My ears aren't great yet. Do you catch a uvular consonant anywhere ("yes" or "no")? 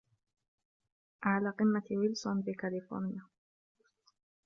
yes